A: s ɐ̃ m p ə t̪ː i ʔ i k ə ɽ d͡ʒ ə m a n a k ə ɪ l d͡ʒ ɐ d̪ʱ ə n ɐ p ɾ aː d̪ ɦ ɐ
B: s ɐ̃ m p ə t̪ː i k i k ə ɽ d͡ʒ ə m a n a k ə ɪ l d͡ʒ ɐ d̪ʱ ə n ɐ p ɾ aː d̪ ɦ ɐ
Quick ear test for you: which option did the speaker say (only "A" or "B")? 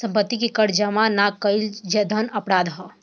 B